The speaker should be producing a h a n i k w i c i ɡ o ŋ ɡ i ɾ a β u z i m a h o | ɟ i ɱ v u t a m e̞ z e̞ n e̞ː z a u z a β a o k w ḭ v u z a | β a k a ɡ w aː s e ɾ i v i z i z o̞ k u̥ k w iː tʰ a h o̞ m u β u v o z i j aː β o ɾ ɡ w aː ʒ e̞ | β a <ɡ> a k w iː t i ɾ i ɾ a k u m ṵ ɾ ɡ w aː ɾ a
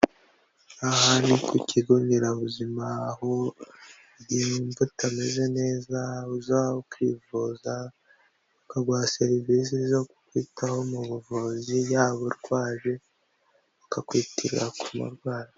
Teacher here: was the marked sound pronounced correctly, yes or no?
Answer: no